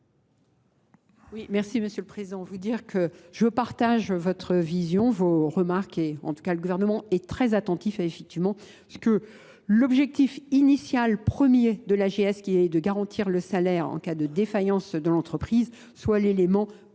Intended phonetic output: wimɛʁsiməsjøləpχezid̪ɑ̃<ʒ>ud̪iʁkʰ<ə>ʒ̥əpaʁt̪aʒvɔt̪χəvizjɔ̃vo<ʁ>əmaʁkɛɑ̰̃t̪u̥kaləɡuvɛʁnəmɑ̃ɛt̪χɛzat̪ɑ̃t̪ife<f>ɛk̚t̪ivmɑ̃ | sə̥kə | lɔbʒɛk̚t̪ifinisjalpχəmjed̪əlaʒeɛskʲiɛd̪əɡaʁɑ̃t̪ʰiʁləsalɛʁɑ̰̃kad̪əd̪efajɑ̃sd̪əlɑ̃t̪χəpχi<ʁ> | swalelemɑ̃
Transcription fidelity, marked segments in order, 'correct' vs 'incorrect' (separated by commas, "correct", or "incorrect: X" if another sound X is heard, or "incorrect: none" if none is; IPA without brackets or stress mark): incorrect: v, correct, correct, correct, incorrect: z